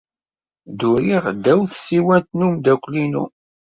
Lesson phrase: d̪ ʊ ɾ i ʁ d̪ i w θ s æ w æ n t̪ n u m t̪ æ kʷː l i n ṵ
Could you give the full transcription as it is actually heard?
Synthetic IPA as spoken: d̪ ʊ ɾ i ʁ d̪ æ w θ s i w æ n t̪ n u m d̪ æ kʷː l i n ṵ